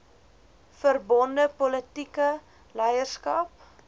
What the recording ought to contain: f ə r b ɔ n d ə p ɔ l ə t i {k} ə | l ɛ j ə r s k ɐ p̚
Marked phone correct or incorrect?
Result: correct